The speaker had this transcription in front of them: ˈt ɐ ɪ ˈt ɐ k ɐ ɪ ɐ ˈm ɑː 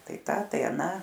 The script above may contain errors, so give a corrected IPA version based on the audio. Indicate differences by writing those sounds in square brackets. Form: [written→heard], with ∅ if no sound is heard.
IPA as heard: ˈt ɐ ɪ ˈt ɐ [k→t] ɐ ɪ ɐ [ˈm→ˈn] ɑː